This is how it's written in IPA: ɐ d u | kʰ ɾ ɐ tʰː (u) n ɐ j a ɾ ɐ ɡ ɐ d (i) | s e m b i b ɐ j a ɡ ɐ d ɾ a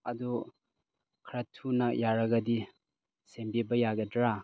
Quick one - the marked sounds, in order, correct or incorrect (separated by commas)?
correct, correct